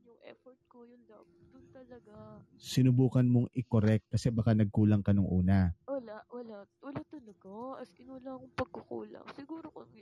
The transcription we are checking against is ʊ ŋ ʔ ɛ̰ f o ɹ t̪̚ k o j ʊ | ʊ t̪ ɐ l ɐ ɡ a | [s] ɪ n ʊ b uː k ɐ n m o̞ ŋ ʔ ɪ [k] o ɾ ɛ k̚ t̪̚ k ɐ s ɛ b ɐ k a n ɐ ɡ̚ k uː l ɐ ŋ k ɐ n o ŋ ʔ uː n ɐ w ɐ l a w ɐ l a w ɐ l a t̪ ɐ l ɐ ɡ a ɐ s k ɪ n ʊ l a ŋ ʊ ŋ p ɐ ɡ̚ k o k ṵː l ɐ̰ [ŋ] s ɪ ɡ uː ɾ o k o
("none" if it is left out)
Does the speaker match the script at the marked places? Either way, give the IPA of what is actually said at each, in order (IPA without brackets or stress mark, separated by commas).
s, k, ŋ